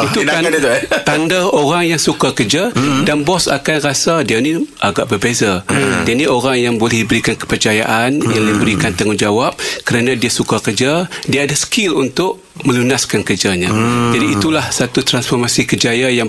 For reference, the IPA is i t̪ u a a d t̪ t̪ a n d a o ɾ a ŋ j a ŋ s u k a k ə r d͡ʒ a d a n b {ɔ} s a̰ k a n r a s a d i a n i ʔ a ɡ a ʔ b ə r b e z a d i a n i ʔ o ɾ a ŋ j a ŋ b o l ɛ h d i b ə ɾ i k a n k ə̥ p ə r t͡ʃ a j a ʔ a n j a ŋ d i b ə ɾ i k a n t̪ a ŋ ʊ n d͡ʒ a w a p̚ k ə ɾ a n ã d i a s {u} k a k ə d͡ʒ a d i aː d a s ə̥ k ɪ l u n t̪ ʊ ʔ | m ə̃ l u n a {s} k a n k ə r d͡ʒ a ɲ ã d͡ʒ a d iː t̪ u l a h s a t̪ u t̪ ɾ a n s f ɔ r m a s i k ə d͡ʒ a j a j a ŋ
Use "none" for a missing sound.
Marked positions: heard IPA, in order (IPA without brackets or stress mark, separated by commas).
ɔ, u, s